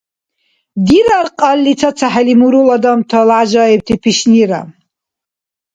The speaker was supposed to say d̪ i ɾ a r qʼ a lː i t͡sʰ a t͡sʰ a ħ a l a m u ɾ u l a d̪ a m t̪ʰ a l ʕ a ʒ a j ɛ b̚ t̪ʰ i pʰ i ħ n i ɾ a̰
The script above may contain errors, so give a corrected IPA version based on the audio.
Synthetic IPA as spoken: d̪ i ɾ a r qʼ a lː i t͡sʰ a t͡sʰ a ħ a l i m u ɾ u l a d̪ a m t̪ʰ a l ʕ a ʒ a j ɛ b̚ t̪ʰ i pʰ i ʃ n i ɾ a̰